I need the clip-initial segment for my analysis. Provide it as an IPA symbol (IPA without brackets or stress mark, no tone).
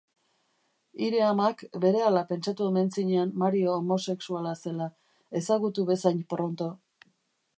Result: i